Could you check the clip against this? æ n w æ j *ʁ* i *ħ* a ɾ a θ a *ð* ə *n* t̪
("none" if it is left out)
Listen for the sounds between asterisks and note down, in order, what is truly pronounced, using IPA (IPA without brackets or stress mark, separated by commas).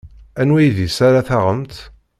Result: ð, s, ʁ, m